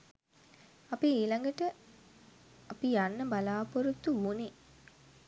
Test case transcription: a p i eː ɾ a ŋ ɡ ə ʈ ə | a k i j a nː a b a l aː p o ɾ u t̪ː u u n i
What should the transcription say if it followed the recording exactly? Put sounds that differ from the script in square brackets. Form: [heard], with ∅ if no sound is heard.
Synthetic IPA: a p i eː [l] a ŋ ɡ ə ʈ ə | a [p] i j a nː [ə] b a l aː p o ɾ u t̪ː u u n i